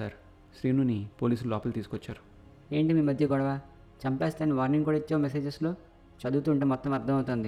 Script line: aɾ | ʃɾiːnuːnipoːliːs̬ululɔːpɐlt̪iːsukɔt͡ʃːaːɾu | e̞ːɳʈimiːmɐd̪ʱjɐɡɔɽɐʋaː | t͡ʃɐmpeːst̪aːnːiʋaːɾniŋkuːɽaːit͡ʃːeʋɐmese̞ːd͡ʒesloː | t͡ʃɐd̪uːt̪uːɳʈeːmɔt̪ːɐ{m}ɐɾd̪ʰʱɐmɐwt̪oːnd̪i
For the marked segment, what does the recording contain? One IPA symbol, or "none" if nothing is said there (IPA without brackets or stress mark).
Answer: m